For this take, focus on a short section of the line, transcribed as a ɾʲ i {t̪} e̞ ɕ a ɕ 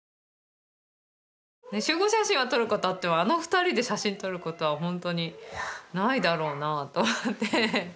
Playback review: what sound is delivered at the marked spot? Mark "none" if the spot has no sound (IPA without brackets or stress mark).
d̪